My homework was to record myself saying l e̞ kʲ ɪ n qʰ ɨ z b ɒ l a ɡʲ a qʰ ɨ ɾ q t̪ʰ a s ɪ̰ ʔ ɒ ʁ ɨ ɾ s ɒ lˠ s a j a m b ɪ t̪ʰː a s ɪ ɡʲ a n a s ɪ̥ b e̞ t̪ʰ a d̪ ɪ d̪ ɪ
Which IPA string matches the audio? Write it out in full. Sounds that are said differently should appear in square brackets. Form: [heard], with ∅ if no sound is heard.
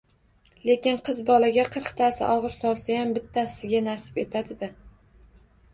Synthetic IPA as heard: l e̞ kʲ ɪ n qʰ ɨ z b ɒ l a ɡʲ a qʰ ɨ ɾ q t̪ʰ a s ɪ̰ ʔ ɒ ʁ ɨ ɾ s ɒ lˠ s a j a m b ɪ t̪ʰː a s ɪ ɡʲ a n a s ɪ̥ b e̞ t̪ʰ a d̪ ɪ d̪ ɪ